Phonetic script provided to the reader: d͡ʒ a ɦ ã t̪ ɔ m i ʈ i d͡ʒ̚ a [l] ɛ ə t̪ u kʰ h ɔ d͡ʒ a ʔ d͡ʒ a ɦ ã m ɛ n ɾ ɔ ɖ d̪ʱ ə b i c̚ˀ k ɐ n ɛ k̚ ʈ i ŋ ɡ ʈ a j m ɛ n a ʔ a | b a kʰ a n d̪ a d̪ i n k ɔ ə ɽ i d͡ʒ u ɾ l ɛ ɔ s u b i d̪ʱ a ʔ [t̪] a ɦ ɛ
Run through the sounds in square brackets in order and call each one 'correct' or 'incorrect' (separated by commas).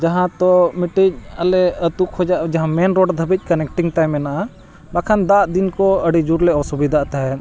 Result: correct, correct